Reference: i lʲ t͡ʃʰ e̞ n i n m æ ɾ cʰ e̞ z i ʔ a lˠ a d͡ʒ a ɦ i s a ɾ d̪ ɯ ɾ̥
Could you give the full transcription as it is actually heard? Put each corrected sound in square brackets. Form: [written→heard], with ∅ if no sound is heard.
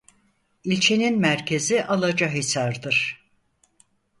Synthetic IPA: i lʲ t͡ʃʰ e̞ n i n m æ ɾ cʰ e̞ z i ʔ a lˠ a d͡ʒ a ɦ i s a ɾ d̪ ɯ ɾ̥